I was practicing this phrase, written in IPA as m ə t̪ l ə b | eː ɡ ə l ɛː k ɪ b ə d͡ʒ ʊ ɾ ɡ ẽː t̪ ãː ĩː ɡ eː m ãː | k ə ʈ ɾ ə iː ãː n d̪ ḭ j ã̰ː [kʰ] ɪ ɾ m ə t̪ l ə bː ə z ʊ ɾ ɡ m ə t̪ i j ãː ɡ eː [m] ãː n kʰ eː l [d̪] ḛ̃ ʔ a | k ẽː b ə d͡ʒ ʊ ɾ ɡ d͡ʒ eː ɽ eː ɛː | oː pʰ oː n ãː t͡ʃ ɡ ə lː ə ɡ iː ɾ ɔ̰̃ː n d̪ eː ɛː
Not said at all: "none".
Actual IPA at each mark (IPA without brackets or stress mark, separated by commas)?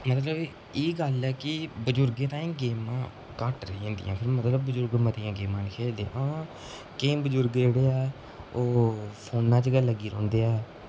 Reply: pʰ, m, d̪